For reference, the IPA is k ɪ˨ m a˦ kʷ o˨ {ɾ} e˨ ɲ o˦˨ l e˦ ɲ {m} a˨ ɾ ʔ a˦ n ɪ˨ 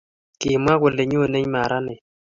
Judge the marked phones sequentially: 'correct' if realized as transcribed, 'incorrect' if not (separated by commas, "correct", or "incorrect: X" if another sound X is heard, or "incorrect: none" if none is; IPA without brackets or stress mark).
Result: incorrect: l, correct